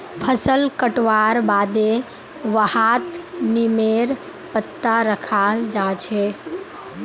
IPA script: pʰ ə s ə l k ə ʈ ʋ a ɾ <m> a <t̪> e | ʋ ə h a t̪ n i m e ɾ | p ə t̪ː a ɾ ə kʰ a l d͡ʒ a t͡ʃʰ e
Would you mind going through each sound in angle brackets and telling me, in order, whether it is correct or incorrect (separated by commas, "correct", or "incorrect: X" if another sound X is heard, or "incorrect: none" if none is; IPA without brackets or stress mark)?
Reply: incorrect: b, incorrect: d̪